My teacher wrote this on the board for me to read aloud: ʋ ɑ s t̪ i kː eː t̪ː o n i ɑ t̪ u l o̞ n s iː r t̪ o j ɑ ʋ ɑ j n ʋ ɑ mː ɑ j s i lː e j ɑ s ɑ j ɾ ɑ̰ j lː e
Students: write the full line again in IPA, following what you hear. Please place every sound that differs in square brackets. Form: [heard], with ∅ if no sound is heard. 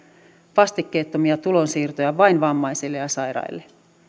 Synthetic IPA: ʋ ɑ s t̪ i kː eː t̪ː o [m] i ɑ t̪ u l o̞ n s iː r t̪ o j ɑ ʋ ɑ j n ʋ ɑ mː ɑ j s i lː e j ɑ s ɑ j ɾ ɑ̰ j lː e